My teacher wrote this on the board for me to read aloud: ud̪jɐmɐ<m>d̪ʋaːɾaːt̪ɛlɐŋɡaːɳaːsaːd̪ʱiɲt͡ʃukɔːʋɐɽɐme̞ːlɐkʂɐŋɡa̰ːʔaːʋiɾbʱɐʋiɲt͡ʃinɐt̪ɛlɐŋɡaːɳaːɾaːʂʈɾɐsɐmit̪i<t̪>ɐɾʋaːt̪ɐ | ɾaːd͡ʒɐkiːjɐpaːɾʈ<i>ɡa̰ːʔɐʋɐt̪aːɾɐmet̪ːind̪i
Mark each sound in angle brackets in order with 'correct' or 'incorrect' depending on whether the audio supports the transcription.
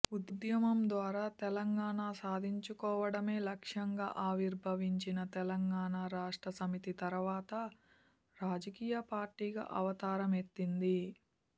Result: correct, correct, incorrect

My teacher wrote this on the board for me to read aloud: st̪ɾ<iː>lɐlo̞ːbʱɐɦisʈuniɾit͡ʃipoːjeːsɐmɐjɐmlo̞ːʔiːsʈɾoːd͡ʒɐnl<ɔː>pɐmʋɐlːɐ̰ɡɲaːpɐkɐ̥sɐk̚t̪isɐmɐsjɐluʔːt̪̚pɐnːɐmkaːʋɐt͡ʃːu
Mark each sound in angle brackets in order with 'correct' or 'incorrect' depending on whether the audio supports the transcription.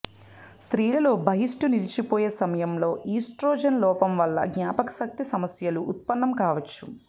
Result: correct, correct

